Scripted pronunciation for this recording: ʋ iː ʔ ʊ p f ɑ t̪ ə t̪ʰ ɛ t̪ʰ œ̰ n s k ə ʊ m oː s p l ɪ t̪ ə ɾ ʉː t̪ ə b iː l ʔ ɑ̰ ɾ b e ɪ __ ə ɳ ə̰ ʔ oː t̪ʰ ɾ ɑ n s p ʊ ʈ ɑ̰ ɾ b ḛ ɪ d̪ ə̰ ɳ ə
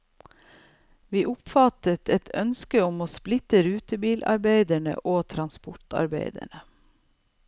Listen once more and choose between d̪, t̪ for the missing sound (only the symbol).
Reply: d̪